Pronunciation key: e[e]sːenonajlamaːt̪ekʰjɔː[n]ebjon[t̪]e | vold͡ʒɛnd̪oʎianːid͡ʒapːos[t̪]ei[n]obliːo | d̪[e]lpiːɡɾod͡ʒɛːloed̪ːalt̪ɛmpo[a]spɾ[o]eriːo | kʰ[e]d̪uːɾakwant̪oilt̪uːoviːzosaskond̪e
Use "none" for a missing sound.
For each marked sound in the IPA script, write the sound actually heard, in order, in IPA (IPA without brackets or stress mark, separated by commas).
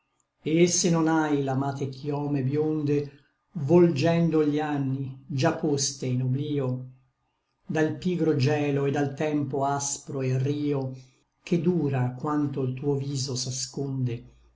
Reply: e, m, d̪, t̪, n, a, a, o, e